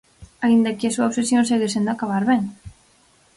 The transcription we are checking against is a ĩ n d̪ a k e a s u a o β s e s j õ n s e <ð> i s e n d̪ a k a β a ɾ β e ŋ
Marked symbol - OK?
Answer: no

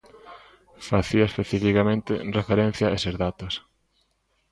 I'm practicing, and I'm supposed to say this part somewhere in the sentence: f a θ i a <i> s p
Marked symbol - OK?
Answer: no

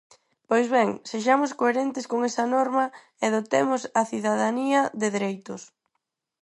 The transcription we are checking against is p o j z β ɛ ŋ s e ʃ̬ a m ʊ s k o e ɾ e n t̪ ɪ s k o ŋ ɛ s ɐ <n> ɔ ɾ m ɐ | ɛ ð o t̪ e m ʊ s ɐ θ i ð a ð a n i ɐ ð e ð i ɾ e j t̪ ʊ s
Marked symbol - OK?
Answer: yes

